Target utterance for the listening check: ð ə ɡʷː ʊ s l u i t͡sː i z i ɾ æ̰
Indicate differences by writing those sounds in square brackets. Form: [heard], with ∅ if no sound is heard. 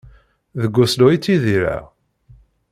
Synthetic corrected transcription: ð ə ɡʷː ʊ s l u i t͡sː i [ð] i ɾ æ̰